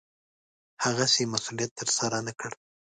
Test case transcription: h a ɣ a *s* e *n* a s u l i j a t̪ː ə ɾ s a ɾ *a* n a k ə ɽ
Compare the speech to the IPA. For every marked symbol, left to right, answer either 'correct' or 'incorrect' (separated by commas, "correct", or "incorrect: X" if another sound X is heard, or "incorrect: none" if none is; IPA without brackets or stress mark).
correct, incorrect: m, correct